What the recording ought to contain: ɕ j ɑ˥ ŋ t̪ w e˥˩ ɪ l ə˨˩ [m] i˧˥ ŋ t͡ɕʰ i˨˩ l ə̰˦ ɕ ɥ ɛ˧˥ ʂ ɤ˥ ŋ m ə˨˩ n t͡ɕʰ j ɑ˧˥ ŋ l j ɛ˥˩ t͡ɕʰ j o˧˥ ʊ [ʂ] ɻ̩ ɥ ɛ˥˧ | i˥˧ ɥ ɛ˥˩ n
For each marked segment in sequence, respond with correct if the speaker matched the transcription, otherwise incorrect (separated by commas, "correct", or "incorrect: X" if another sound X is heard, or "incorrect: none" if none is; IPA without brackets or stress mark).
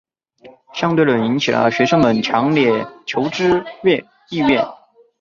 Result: incorrect: n, incorrect: ʈ͡ʂ